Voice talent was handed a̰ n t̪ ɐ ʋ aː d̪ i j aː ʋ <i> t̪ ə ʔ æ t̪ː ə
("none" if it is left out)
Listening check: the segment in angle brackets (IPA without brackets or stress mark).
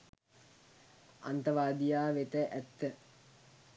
e